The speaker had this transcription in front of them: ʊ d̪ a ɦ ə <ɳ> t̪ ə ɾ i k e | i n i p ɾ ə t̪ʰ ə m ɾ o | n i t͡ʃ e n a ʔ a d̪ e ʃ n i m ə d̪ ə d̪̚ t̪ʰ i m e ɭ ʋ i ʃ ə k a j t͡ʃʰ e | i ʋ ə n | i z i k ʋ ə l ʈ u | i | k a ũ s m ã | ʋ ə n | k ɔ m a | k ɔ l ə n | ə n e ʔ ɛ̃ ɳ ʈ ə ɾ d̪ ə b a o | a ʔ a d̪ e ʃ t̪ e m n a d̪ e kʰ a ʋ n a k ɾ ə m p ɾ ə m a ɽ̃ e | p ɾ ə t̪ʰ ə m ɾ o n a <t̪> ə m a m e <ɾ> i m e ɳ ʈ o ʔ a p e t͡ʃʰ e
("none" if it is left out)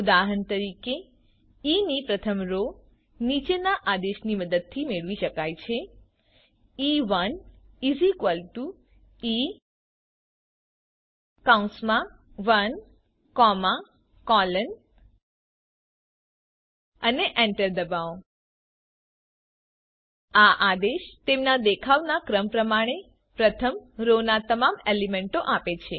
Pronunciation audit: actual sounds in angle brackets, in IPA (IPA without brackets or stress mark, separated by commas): n, t̪, l